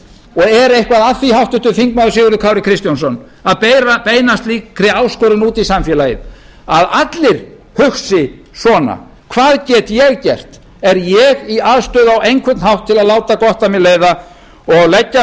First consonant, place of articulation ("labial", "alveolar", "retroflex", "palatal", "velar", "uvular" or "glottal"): velar